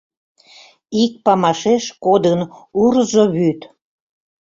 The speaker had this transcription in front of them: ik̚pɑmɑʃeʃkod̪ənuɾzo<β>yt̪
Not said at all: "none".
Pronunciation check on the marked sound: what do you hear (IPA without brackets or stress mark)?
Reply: β